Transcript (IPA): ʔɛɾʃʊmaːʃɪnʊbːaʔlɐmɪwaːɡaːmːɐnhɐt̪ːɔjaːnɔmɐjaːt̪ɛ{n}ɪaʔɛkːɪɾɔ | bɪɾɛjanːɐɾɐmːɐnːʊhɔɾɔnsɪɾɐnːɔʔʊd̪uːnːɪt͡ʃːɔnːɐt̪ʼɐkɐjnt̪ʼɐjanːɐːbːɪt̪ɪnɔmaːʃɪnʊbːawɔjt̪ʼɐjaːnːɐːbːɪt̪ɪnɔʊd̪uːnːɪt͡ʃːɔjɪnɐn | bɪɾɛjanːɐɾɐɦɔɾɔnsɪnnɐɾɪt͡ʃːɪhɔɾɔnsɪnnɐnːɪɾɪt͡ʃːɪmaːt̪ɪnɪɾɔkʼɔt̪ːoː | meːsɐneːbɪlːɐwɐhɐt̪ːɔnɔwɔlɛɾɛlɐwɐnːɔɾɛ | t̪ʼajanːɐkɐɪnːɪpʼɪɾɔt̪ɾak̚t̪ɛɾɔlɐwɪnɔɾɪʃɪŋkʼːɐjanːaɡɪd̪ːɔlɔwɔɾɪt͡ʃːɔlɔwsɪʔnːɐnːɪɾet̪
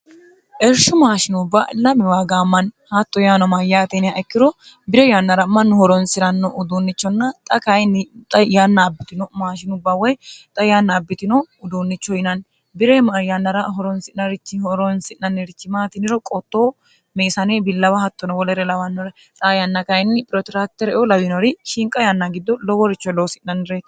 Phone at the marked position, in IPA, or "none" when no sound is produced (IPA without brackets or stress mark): n